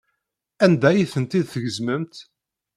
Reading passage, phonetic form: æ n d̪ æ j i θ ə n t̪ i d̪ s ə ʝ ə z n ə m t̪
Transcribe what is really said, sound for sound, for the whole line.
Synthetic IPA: æ n d̪ æ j i θ ə n t̪ i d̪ θ ə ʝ ə z m ə m t̪